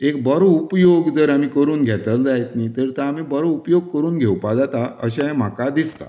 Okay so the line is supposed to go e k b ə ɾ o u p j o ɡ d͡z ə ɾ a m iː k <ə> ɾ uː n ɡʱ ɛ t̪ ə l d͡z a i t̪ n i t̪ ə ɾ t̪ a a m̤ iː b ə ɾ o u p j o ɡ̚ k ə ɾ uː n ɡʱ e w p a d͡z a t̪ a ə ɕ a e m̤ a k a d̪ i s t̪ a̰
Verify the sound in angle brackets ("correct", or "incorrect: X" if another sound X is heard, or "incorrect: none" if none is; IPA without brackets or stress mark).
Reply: correct